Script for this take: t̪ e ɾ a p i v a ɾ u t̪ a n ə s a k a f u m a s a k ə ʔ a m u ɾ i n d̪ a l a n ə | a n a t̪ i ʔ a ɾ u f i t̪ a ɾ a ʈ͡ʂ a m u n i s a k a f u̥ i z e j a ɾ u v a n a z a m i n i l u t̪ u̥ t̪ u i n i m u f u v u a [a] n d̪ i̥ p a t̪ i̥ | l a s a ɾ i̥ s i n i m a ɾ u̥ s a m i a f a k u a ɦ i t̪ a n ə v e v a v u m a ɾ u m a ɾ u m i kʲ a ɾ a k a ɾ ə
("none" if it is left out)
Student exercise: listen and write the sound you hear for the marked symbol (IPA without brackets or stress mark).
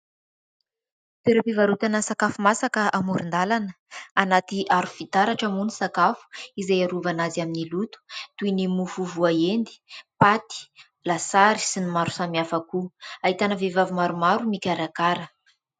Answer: e